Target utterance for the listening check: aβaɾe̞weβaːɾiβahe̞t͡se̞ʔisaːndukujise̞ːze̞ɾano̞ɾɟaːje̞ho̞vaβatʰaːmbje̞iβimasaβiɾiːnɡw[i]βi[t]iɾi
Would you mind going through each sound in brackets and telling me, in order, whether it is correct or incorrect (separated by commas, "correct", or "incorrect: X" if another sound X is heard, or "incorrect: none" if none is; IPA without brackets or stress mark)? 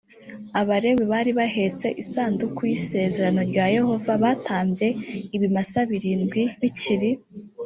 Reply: correct, incorrect: c